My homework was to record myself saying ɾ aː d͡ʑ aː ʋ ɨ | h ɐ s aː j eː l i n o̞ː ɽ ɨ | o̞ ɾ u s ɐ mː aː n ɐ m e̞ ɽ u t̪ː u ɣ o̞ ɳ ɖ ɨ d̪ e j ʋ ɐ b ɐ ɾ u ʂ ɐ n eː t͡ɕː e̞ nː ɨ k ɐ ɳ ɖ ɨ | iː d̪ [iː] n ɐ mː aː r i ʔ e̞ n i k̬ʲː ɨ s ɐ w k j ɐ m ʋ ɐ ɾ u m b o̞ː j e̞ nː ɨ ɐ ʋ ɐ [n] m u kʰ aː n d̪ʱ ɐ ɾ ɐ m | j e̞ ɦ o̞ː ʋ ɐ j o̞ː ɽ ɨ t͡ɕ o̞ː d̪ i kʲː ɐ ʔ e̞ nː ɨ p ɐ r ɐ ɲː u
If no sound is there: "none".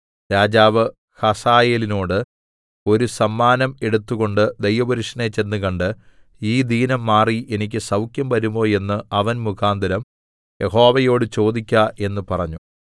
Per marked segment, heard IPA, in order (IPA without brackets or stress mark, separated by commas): iː, n